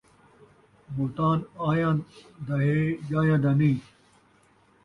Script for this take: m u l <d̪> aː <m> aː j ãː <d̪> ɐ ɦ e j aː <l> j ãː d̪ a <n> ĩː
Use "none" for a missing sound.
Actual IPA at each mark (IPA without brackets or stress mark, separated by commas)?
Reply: t̪, n, d̪, none, n